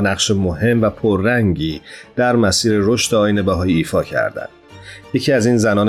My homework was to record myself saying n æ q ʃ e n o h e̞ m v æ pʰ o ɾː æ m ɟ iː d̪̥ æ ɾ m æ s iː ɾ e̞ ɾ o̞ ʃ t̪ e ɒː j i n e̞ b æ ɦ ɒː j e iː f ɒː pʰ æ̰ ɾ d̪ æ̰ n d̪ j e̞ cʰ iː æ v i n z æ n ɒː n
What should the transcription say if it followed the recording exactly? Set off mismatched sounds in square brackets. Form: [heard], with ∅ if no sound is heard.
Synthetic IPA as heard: n æ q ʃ e [m] o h e̞ m v æ pʰ o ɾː æ [ŋ] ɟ iː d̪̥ æ ɾ m æ s iː ɾ e̞ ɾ o̞ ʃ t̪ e ɒː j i n e̞ b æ ɦ ɒː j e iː f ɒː [cʰ] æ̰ ɾ d̪ æ̰ n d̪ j e̞ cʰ iː æ [z] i n z æ n ɒː n